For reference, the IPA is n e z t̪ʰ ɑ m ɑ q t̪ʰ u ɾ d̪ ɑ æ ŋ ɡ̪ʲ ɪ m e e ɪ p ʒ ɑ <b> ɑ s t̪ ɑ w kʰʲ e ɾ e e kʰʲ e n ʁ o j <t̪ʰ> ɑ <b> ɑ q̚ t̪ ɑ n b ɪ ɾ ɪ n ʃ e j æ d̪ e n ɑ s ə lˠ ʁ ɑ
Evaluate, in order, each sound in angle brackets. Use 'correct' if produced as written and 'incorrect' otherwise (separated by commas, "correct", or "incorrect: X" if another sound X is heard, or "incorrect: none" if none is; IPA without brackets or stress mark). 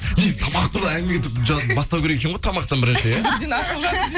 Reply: correct, correct, incorrect: m